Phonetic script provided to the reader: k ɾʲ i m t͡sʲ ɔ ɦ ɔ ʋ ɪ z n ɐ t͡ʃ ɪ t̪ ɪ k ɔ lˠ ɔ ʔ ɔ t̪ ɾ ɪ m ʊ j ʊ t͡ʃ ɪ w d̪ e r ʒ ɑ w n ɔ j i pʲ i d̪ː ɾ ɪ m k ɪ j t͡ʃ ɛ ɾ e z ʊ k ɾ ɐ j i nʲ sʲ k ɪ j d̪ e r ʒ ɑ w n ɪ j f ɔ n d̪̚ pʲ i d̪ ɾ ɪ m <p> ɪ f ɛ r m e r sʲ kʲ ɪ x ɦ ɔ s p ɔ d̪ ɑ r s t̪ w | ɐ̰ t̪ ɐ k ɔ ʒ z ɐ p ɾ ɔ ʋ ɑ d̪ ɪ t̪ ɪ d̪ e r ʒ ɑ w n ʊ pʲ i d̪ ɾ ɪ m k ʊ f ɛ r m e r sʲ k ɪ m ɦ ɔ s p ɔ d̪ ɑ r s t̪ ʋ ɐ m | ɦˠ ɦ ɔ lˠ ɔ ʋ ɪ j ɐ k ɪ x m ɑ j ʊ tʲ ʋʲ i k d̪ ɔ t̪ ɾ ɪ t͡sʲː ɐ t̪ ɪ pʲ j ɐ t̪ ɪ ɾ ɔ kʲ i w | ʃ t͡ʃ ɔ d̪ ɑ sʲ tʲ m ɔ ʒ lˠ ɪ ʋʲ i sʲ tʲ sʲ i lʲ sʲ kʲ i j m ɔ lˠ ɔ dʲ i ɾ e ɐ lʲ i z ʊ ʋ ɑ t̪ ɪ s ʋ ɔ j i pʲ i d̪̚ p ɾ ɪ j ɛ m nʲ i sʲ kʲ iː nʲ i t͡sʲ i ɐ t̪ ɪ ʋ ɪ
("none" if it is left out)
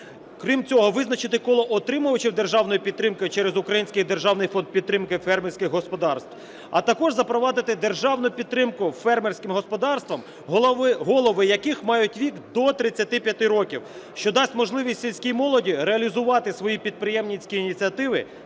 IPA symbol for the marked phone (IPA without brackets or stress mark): k